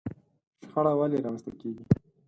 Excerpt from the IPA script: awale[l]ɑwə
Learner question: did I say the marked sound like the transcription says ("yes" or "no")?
no